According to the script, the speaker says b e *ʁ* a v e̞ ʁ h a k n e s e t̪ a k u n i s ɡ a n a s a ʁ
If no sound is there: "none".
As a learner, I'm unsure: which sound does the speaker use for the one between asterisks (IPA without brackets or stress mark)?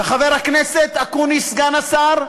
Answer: χ